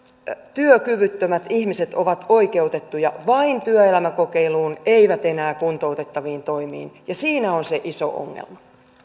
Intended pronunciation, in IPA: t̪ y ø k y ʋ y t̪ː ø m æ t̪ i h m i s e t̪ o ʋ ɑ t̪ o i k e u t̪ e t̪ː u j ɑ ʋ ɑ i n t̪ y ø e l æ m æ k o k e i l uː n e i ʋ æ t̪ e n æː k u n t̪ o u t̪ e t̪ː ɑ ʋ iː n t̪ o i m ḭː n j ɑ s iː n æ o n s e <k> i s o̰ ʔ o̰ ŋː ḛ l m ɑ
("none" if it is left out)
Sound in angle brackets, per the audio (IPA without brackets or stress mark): ʔ